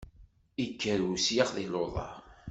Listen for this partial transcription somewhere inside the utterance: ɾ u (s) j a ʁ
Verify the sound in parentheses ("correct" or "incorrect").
correct